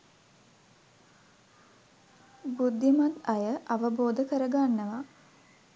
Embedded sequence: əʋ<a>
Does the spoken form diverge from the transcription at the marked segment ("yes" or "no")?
no